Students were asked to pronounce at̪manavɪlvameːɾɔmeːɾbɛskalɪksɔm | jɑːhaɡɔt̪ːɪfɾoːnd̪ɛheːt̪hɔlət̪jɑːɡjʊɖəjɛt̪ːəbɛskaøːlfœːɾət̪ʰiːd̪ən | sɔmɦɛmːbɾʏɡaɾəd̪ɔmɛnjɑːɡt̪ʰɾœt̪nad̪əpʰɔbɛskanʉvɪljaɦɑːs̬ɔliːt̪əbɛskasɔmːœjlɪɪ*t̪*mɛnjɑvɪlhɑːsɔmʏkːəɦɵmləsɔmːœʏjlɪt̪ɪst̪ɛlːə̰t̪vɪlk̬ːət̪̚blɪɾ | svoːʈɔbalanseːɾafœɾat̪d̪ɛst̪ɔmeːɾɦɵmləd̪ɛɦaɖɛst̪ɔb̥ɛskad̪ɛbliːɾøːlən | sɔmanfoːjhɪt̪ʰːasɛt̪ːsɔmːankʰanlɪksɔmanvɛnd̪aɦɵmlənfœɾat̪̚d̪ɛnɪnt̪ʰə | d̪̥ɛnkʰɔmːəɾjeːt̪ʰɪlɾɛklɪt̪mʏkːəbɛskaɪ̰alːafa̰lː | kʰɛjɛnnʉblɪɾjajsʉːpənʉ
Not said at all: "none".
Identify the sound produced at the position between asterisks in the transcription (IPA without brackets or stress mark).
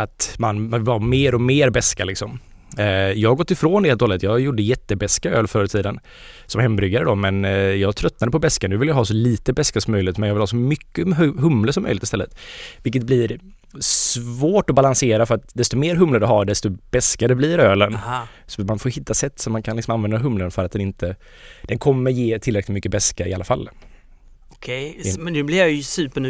t̪